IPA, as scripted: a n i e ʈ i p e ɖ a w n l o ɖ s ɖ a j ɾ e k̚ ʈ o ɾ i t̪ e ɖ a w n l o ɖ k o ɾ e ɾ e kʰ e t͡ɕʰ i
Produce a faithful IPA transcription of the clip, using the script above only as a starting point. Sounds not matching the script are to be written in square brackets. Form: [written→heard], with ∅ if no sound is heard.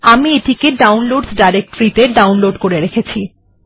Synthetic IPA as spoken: a [n→m] i e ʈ i [p→k] e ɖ a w n l o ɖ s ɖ a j ɾ e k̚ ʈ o ɾ i t̪ e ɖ a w n l o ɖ k o ɾ e ɾ e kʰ e t͡ɕʰ i